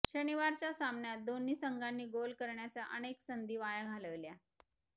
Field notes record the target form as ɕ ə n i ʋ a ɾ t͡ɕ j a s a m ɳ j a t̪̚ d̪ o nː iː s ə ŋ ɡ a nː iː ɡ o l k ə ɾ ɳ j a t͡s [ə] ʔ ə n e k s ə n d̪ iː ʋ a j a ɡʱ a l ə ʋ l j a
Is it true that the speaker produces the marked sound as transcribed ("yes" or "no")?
no